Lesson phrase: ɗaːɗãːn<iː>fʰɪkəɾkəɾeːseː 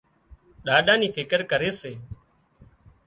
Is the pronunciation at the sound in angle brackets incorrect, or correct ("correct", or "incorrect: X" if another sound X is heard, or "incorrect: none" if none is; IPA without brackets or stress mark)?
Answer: correct